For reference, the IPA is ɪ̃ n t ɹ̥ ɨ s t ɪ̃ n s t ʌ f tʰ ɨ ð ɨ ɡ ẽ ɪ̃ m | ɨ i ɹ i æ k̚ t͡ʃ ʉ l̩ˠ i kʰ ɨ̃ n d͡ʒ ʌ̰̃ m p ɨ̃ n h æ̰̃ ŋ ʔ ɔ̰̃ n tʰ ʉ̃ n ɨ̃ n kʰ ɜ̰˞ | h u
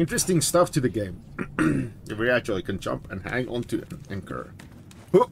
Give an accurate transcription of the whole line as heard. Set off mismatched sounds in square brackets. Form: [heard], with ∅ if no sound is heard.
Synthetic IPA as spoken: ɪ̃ n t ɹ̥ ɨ s t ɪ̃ [ŋ] s t ʌ f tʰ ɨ ð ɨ ɡ ẽ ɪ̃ m | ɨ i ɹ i æ k̚ t͡ʃ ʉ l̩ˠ i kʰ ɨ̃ n d͡ʒ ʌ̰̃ m p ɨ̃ n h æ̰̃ ŋ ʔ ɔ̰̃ n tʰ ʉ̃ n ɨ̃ n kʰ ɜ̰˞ | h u